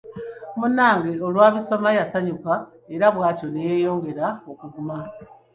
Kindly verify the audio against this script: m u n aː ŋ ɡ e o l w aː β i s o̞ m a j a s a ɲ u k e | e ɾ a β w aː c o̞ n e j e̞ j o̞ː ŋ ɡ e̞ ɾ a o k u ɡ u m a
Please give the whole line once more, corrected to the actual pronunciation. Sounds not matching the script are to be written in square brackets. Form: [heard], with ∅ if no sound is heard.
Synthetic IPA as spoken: m u n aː ŋ ɡ e o l w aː β i s o̞ m a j a s a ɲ u k [a] | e ɾ a β w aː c o̞ n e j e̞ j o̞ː ŋ ɡ e̞ ɾ a o k u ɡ u m a